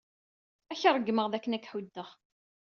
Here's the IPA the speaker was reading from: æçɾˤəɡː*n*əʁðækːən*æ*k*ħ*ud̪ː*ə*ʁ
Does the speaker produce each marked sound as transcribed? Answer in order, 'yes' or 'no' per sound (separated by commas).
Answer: no, yes, yes, yes